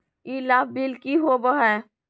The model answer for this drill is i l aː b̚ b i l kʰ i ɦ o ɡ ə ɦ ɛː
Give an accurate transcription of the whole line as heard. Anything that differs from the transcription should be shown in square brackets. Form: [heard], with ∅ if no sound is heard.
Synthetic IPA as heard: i l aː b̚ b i l [k] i ɦ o [b] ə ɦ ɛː